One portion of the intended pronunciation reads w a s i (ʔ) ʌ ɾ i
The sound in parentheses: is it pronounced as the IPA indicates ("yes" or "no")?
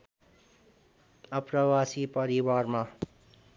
no